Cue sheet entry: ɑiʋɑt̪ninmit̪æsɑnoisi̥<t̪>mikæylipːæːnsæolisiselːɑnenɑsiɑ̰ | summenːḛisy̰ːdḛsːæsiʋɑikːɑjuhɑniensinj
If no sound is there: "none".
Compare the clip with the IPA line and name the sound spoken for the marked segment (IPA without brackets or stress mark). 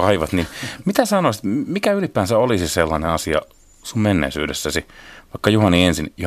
t̪